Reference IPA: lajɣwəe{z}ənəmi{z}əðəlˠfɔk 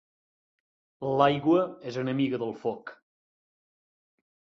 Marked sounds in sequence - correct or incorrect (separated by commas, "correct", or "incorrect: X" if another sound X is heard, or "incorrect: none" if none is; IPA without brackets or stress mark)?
correct, incorrect: ɣ